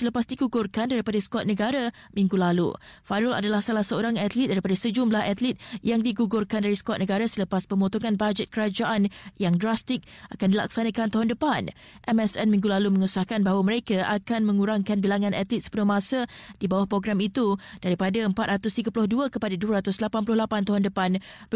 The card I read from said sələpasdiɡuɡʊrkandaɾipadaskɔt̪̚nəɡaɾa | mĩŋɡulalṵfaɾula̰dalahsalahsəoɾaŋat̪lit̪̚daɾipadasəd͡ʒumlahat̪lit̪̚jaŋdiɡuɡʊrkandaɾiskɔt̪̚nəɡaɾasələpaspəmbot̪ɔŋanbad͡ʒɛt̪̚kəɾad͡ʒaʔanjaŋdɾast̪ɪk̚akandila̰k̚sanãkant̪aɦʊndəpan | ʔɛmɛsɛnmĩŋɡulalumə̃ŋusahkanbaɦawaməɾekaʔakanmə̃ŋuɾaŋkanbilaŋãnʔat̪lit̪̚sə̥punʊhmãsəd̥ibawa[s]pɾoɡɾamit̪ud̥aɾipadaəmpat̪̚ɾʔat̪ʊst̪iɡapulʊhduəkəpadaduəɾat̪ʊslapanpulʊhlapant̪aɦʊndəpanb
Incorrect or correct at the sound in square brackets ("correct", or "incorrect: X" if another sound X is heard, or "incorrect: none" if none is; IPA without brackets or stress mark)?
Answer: incorrect: h